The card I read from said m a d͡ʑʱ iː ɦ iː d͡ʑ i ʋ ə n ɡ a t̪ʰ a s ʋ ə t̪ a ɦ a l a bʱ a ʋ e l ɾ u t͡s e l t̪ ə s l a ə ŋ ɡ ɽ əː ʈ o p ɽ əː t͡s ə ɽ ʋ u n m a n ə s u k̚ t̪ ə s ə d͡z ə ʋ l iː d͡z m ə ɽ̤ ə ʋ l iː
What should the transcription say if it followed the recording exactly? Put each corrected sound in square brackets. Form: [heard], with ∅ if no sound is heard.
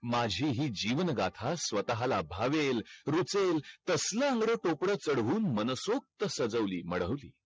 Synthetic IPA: m a d͡ʑʱ iː ɦ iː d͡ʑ i ʋ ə n ɡ a t̪ʰ a s ʋ ə t̪ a ɦ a l a bʱ a ʋ e l ɾ u t͡s e l t̪ ə s l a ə ŋ ɡ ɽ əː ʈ o p ɽ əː t͡s ə ɽ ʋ [uː] n m [ə] n ə s [o] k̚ t̪ ə s ə d͡z ə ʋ l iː [∅] m ə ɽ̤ ə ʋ l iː